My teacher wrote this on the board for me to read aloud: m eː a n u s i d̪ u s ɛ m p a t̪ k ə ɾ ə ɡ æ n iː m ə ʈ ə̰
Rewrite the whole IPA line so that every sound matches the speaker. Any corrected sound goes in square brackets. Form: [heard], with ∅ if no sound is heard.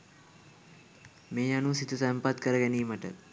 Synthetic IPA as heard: m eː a n u s i [t̪] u s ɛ m p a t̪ k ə ɾ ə ɡ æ n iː m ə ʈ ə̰